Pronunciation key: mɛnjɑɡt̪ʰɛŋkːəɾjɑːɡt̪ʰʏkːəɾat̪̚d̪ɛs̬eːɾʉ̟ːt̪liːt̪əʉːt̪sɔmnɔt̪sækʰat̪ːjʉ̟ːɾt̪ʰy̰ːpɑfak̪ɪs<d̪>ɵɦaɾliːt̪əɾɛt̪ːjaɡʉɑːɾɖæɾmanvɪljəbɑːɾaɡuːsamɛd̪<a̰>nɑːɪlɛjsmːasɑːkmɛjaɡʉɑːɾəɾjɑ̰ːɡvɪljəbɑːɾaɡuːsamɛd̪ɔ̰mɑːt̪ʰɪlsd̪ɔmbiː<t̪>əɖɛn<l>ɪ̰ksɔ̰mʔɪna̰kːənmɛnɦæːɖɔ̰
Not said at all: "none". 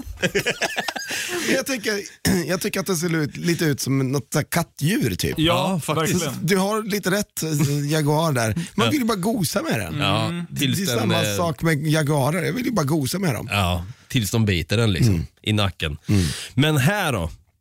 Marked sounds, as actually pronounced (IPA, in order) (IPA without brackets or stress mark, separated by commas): d̪, ɛ̰, t̪, l